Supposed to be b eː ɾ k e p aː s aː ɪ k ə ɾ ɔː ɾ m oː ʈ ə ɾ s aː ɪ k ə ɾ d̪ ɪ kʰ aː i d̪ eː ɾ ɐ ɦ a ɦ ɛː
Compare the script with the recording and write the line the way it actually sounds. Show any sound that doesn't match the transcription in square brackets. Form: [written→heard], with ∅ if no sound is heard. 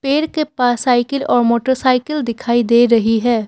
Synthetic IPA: [b→p] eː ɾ k e p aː s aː ɪ k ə [ɾ→l] ɔː ɾ m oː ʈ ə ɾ s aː ɪ k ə [ɾ→l] d̪ ɪ kʰ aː i d̪ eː ɾ ɐ ɦ [a→i] ɦ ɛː